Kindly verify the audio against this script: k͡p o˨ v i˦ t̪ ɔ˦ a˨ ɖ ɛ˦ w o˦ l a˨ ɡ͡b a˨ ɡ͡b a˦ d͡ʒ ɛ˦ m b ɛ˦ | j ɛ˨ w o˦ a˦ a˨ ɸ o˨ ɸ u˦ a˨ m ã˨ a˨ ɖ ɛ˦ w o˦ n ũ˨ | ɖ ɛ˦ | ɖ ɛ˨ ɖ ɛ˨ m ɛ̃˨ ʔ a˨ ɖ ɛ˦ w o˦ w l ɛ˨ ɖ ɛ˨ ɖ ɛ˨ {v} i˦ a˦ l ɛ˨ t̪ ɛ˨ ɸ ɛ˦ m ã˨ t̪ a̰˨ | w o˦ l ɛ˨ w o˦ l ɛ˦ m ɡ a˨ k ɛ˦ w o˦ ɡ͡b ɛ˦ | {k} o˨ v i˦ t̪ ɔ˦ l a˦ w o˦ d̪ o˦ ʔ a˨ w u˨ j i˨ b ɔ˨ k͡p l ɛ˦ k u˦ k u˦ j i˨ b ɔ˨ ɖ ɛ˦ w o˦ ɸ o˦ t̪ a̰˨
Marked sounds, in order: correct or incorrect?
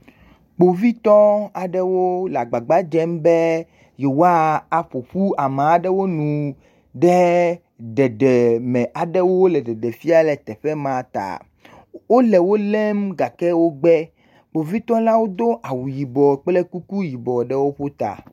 incorrect: f, incorrect: k͡p

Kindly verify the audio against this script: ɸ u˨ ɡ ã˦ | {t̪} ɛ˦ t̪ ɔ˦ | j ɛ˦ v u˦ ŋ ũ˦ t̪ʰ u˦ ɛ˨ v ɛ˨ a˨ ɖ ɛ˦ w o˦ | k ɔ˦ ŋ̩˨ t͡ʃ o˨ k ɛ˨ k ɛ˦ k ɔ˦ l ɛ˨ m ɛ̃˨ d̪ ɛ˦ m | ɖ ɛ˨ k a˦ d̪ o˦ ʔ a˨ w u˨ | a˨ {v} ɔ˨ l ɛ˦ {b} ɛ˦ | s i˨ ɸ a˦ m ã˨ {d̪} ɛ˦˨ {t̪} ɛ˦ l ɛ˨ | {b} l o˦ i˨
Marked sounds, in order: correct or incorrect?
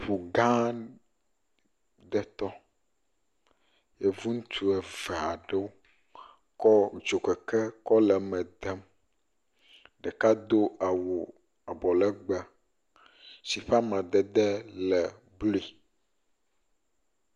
incorrect: d̪, incorrect: b, incorrect: ɡ͡b, correct, incorrect: d̪, correct

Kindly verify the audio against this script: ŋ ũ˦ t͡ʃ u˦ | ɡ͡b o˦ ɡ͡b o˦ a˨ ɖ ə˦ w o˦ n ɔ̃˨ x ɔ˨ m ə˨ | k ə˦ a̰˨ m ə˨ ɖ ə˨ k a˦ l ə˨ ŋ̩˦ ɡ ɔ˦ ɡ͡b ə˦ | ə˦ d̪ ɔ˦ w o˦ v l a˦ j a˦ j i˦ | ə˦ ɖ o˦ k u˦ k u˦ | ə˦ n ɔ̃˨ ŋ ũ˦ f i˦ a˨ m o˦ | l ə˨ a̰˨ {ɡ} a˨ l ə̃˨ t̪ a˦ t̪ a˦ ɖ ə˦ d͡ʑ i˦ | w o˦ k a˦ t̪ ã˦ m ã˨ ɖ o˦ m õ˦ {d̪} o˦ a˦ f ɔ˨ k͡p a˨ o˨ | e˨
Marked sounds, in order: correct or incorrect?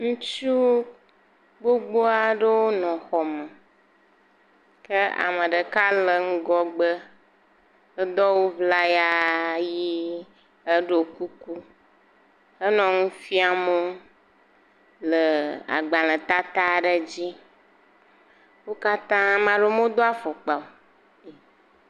incorrect: ɡ͡b, correct

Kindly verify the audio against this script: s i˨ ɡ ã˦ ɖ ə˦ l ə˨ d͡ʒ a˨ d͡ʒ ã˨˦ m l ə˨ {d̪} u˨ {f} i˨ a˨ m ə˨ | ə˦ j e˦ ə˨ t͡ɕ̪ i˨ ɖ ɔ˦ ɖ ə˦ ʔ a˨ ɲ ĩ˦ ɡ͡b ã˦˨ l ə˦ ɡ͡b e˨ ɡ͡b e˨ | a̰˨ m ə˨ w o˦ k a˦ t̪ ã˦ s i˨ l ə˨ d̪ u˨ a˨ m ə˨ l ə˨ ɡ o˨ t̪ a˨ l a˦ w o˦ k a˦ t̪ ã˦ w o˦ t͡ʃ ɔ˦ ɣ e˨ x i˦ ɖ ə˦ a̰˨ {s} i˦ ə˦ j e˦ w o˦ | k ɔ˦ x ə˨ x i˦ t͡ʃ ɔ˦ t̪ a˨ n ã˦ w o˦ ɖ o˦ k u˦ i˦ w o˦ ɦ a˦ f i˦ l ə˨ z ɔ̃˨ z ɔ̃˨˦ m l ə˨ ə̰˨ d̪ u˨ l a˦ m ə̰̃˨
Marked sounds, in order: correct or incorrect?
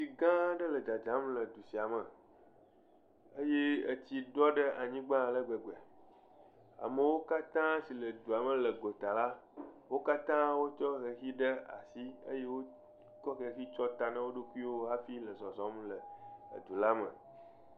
correct, incorrect: s, correct

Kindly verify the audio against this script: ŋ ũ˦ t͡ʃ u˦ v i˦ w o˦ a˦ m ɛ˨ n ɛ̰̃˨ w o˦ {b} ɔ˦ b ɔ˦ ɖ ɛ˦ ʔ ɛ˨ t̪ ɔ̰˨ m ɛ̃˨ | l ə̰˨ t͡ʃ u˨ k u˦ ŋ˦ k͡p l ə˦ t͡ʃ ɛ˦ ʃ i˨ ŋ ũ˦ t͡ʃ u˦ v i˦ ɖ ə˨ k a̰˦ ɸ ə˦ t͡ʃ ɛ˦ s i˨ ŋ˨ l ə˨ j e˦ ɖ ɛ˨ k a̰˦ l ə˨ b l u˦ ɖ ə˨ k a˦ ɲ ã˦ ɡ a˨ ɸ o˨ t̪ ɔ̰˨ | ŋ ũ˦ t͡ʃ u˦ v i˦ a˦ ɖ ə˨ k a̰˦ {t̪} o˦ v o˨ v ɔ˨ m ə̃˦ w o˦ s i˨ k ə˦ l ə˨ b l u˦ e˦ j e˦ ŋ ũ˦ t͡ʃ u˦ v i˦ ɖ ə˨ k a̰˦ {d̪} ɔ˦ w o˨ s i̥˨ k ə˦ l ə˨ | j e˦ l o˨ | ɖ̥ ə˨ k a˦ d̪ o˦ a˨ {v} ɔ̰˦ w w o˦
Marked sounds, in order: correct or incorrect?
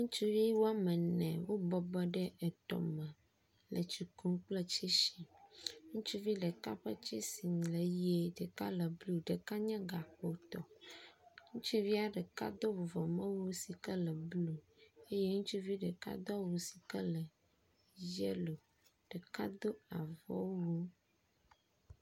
correct, incorrect: d̪, correct, correct

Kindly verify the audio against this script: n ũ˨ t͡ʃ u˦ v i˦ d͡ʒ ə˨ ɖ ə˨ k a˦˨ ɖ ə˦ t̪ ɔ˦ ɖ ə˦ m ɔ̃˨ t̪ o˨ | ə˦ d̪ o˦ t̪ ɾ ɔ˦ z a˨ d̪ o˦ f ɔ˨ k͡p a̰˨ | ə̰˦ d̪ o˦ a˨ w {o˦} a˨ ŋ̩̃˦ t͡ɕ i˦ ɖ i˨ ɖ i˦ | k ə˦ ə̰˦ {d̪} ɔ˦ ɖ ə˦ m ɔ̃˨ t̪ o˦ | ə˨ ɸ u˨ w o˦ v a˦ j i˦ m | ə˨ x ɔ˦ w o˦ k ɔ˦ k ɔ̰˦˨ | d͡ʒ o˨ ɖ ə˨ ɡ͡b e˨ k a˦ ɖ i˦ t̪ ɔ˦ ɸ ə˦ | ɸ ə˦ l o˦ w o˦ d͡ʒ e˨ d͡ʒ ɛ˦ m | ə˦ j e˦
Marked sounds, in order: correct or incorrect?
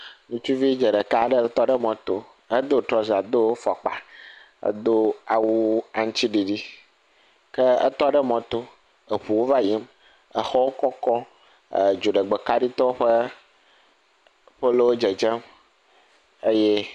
incorrect: u˦, incorrect: t̪

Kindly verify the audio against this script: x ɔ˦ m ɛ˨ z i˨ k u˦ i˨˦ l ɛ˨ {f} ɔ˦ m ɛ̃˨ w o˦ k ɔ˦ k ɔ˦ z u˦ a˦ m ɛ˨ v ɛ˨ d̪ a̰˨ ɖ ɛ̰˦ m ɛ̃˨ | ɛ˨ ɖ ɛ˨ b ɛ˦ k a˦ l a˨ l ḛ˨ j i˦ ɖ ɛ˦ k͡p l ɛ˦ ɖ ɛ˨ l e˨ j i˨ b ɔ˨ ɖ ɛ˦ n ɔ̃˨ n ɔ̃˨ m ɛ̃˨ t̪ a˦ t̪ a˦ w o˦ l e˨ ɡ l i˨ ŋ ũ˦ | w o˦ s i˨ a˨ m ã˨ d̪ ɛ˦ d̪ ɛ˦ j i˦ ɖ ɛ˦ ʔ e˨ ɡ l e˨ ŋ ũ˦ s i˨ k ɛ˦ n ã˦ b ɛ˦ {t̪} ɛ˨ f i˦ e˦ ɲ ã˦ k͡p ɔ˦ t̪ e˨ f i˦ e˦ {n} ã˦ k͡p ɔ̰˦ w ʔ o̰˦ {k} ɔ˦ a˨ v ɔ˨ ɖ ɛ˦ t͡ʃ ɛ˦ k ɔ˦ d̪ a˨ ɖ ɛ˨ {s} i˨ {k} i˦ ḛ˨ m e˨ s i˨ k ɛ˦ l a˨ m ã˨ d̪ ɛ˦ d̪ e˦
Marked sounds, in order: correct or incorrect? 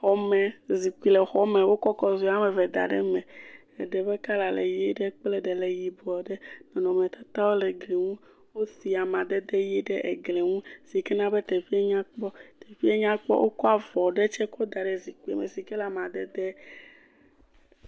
incorrect: x, correct, incorrect: ɲ, correct, incorrect: z, correct

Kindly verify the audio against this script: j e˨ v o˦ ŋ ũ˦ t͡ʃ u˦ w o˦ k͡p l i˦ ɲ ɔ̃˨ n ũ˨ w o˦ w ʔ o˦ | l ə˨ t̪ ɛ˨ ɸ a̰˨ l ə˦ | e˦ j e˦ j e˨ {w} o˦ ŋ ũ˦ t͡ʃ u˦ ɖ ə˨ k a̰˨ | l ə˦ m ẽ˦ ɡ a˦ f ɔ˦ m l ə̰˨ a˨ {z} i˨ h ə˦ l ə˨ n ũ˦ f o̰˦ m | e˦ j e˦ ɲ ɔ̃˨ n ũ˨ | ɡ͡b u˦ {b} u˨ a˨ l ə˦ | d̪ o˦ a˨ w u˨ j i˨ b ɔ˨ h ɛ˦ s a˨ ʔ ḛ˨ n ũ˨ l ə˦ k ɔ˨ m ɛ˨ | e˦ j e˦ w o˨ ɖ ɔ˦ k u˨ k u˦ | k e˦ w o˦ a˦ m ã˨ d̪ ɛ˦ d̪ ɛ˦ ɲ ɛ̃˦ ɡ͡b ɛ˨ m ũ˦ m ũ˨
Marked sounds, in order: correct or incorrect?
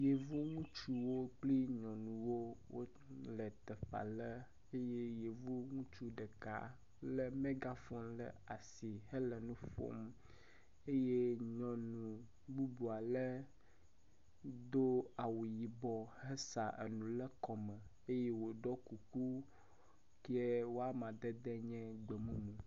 incorrect: v, incorrect: s, correct

